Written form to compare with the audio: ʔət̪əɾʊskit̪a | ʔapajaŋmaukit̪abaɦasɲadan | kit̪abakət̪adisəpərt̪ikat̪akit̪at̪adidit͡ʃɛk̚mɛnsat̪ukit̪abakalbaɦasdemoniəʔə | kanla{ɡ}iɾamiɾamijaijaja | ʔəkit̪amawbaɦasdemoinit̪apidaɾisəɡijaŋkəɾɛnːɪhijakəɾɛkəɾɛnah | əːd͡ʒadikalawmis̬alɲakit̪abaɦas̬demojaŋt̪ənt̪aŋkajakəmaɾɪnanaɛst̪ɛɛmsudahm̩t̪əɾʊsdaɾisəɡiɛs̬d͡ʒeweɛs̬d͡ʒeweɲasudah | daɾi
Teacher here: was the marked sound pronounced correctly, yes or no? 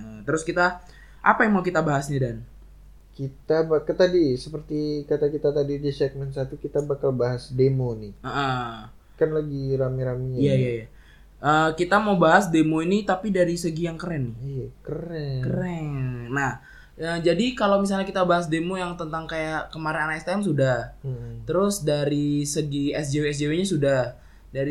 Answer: yes